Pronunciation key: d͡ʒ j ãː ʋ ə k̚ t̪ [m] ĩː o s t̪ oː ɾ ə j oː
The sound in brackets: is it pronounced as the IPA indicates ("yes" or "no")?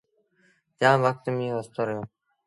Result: yes